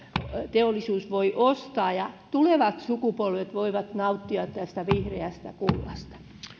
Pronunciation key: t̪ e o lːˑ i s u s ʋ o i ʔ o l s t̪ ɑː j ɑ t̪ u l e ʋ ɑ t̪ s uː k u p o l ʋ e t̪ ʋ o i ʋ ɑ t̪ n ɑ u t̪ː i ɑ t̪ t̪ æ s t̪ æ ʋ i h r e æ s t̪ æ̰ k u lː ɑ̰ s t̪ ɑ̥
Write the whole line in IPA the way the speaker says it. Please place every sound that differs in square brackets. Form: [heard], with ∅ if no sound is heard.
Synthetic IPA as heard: t̪ e o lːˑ i s [uː] s ʋ o i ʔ o [∅] s t̪ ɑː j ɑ t̪ u l e ʋ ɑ t̪ s [u] k u p o l ʋ e t̪ ʋ o i ʋ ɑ t̪ n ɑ u t̪ː i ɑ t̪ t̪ æ s t̪ æ ʋ i h r e æ s t̪ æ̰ k u lː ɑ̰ s t̪ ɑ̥